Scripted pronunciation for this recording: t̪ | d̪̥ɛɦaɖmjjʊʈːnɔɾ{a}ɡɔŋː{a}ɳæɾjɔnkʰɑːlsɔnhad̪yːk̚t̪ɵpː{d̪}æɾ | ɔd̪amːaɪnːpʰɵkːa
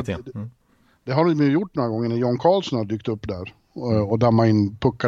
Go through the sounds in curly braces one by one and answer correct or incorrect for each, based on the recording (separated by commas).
correct, incorrect, correct